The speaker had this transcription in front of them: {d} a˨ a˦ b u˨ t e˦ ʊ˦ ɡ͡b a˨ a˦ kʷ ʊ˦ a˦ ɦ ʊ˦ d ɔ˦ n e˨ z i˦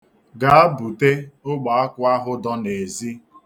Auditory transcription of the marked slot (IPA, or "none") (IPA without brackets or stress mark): ɡ